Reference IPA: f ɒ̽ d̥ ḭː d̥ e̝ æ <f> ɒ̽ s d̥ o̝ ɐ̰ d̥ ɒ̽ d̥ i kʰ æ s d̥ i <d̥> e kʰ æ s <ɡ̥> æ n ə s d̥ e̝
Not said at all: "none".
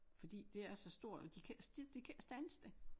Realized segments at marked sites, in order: s, d̥, d̥

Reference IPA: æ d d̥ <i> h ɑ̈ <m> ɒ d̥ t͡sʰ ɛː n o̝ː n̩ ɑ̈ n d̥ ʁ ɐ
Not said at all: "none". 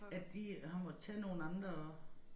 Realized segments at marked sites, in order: i, m

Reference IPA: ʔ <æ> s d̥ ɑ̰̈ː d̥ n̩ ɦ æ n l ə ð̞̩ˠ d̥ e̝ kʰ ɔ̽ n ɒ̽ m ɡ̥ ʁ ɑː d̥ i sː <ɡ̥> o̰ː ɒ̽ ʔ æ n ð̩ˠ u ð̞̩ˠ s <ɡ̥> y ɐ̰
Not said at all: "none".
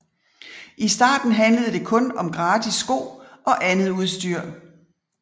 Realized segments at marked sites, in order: i, ɡ̥, d̥

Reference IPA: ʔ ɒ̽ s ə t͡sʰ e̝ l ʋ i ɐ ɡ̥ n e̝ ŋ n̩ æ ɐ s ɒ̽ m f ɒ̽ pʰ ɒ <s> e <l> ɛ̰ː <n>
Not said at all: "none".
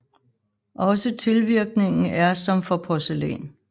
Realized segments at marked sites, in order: s, l, n

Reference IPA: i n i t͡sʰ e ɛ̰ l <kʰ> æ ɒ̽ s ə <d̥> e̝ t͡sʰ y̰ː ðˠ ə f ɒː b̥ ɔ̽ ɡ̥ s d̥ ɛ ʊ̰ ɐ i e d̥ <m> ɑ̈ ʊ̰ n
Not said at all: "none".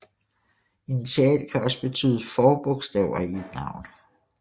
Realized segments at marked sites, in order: kʰ, b̥, n

